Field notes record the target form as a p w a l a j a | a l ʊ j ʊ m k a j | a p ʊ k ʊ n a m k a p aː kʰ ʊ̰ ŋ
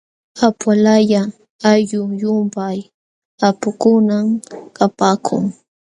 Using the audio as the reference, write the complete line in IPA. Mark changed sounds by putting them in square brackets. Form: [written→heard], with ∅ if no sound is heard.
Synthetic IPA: a p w a l a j a | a [l→ʎ] ʊ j ʊ m [k→p] a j | a p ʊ k ʊ n a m k a p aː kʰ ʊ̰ ŋ